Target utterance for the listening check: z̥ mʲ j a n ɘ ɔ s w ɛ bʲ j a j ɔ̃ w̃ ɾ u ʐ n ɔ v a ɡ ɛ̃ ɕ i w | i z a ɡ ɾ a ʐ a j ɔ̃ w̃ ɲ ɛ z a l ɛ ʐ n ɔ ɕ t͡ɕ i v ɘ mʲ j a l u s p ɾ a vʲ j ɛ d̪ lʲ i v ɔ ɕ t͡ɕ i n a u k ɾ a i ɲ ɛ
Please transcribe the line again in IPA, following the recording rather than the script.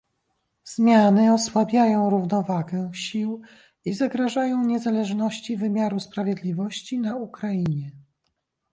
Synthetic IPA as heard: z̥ mʲ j a n ɘ ɔ s w a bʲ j a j ɔ̃ w̃ ɾ u v n ɔ v a ɡ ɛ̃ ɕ i w | i z a ɡ ɾ a ʐ a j ɔ̃ w̃ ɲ ɛ z a l ɛ ʐ n ɔ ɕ t͡ɕ i v ɘ mʲ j a ɾ u s p ɾ a vʲ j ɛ d̪ lʲ i v ɔ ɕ t͡ɕ i n a u k ɾ a i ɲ ɛ